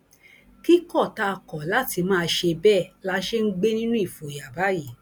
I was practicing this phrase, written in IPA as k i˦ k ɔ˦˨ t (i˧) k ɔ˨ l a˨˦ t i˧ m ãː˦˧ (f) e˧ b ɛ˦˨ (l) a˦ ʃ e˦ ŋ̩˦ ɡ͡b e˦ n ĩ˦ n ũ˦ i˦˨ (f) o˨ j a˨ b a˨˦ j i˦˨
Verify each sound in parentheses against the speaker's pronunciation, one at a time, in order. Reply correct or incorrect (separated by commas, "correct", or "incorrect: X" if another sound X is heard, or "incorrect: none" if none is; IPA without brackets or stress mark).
incorrect: a˧, incorrect: ʃ, correct, correct